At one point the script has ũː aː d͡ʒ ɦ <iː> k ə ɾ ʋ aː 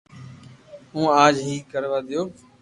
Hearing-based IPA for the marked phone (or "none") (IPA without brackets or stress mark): iː